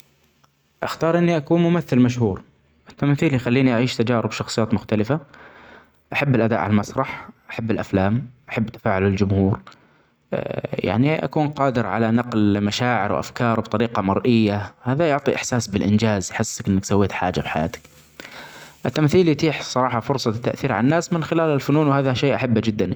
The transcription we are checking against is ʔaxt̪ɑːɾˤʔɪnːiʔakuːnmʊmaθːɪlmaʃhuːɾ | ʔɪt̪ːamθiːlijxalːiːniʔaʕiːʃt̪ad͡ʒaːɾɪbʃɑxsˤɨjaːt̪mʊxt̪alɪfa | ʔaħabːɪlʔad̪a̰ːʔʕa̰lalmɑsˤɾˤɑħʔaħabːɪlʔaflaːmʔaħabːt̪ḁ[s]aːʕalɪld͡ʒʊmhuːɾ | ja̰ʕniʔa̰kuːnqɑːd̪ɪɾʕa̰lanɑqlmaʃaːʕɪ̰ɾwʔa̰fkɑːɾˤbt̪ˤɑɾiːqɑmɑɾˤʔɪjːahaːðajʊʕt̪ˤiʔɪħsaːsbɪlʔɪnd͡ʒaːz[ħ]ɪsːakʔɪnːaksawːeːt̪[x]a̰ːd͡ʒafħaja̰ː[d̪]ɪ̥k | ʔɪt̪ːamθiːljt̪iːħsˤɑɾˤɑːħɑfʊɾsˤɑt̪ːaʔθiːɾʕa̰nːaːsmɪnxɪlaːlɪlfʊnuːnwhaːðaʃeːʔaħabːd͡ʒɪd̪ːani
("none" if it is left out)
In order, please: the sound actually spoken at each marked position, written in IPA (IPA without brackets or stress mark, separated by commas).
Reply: f, ħ, ħ, t̪